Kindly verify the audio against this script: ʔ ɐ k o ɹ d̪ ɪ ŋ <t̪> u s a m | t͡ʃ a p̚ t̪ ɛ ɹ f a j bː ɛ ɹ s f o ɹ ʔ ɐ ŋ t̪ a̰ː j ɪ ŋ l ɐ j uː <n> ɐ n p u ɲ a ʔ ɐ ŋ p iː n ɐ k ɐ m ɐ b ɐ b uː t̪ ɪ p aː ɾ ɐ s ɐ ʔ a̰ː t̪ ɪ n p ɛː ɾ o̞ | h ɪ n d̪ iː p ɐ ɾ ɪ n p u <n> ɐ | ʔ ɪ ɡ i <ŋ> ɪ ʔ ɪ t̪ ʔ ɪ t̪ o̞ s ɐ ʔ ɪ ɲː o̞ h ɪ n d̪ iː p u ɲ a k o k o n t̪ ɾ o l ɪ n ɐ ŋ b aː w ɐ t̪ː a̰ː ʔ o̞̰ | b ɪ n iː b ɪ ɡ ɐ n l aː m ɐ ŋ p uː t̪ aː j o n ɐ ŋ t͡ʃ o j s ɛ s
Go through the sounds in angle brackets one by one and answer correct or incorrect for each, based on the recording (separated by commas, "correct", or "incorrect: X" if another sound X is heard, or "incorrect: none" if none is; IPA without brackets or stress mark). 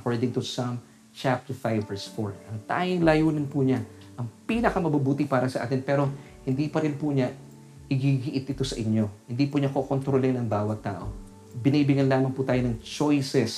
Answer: correct, correct, incorrect: ɲ, incorrect: ɡ